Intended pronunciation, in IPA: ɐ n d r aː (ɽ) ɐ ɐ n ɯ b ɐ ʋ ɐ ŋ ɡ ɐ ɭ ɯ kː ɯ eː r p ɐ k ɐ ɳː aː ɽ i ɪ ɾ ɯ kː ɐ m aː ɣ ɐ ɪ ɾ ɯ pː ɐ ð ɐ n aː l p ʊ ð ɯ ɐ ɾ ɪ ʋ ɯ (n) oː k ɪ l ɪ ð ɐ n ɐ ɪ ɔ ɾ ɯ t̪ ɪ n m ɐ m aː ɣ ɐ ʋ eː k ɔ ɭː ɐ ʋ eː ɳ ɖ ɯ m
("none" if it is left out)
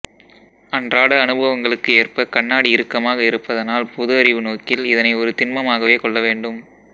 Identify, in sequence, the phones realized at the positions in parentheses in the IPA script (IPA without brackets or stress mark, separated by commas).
ɽ, n